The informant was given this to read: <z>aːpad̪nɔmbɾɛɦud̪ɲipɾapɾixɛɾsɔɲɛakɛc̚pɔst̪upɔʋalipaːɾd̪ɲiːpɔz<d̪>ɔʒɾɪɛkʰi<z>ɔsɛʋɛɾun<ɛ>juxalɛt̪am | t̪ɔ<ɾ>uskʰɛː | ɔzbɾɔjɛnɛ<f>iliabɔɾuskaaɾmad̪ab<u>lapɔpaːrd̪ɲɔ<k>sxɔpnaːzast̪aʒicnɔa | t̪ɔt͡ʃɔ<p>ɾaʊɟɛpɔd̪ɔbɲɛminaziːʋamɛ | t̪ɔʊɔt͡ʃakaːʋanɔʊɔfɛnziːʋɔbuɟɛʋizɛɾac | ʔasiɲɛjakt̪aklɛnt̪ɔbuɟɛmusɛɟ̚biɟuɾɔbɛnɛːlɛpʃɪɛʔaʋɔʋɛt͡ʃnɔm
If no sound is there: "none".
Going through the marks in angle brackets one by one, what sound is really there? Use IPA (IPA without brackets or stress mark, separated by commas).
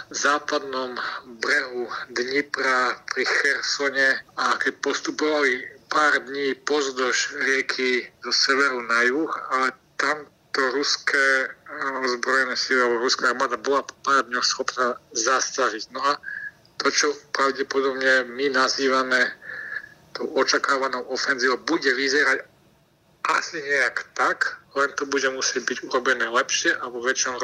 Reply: z, d̪, z, a, ɾ, s, ɔ, x, p